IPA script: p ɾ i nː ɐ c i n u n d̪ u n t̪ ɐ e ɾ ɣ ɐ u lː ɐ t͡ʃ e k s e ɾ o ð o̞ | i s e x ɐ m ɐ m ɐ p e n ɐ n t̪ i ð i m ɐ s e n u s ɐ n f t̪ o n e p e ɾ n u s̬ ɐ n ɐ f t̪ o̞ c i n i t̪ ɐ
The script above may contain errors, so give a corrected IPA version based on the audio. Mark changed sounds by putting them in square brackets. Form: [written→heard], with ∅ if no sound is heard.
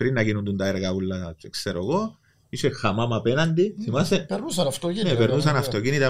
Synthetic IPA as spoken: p ɾ i nː ɐ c i n u n d̪ u n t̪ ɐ e ɾ ɣ ɐ u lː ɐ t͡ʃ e k s e ɾ o [ð→ɣ] o̞ | i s e x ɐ m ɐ m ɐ p e n ɐ n [t̪→d̪] i [ð→θ] i m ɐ s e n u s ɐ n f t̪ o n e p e ɾ n u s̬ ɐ n ɐ f t̪ o̞ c i n i t̪ ɐ